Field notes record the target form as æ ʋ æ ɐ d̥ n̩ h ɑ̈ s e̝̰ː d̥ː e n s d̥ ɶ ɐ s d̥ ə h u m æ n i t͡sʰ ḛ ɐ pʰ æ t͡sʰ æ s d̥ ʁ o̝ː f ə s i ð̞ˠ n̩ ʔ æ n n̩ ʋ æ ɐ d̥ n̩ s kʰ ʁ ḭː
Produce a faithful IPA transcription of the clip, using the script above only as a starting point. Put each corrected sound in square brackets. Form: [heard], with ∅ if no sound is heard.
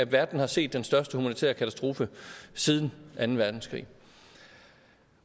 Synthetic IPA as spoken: æ ʋ æ ɐ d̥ n̩ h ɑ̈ s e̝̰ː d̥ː e n s d̥ ɶ ɐ s d̥ ə h u m æ n i t͡sʰ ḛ ɐ [kʰ] æ t͡sʰ æ s d̥ ʁ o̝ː f ə s i ð̞ˠ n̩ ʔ æ n n̩ ʋ æ ɐ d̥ n̩ s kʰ ʁ ḭː